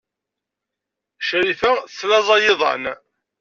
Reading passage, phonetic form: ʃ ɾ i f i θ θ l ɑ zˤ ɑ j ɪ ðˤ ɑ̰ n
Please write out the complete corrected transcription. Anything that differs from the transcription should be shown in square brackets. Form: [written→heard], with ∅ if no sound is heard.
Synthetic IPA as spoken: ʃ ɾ i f [i→æ] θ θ l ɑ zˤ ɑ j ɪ ðˤ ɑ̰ n